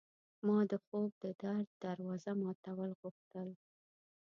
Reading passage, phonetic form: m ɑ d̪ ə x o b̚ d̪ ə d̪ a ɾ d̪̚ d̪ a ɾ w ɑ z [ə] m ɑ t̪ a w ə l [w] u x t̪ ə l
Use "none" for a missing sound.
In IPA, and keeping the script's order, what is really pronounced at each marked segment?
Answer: a, ɣ

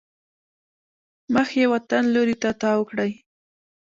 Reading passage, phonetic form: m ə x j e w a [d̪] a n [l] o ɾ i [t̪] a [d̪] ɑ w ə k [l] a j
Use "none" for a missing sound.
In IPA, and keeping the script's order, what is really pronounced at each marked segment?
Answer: t̪, l, t̪, t̪, ɽ

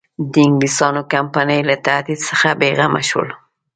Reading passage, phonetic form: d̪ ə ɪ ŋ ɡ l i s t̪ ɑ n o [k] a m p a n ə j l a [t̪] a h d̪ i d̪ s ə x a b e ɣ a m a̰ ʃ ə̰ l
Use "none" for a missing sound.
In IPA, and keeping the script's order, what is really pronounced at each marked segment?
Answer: k, t̪

